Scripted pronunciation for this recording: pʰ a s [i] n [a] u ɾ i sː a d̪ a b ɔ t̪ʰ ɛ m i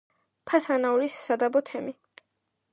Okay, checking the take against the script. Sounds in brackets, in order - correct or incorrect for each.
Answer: incorrect: a, correct

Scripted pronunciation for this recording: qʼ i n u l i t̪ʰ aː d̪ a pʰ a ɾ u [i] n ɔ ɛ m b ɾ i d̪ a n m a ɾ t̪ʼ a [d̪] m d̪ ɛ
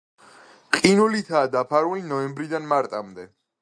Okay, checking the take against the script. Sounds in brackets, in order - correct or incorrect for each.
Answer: correct, incorrect: none

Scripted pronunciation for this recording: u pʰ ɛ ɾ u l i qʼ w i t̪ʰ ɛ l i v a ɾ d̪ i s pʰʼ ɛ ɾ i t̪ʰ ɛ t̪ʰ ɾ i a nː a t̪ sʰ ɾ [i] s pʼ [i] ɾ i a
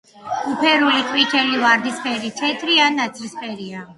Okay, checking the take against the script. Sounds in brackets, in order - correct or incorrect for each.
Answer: correct, incorrect: ɛ

